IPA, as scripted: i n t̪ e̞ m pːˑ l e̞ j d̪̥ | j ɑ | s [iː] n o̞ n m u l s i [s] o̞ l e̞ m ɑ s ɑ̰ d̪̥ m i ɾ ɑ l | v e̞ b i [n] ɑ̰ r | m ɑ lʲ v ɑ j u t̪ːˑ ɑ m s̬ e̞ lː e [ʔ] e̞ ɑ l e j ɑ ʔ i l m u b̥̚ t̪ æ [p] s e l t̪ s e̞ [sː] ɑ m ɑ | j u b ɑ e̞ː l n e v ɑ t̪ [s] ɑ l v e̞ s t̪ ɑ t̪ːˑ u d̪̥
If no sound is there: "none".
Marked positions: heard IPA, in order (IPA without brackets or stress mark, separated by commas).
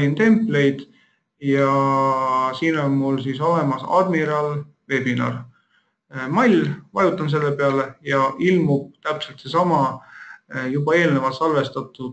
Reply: iː, s, n, p, p, s, s